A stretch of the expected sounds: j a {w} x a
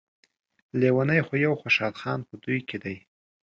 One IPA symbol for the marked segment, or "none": w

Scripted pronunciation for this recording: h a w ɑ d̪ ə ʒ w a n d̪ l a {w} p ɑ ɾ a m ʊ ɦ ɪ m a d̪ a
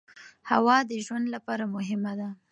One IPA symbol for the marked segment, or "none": none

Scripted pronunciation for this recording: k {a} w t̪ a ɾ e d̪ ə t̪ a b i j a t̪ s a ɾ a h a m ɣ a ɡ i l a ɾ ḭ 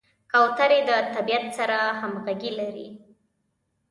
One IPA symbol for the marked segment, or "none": a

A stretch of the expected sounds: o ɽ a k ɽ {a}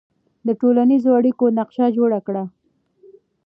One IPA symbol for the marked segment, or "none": a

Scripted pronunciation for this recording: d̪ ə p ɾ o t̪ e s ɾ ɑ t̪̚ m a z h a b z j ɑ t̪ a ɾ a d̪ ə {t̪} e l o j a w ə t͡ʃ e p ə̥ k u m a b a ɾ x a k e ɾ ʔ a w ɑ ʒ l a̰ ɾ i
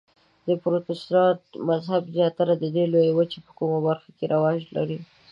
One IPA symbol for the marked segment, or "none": d̪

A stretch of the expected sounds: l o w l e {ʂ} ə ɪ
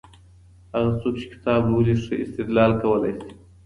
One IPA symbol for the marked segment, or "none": ʂ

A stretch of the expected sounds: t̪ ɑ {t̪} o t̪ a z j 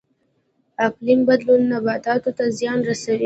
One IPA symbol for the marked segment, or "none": t̪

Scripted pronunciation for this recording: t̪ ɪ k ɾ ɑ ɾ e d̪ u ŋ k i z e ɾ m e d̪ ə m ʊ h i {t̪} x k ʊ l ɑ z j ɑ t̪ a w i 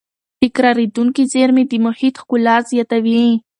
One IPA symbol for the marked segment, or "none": t̪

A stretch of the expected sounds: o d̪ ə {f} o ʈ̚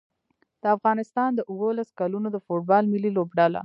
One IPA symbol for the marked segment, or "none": f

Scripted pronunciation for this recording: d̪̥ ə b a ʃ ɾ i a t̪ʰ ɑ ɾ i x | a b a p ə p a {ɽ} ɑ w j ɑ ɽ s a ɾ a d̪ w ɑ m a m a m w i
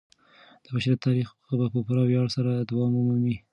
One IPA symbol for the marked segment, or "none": ɾ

